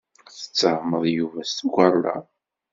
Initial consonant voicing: voiceless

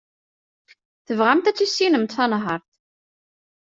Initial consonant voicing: voiceless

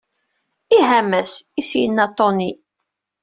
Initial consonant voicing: voiced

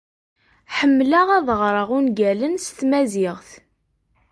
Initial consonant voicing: voiceless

